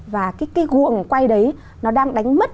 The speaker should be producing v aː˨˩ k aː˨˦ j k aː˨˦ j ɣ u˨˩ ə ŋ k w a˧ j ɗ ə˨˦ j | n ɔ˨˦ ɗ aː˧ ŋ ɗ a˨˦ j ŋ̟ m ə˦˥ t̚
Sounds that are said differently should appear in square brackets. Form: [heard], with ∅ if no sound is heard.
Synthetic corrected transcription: v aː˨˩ k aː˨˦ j k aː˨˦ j ɣ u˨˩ ə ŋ k w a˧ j ɗ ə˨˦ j | n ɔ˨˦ ɗ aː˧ ŋ ɗ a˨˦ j ŋ̟ m ə˦˥ t̚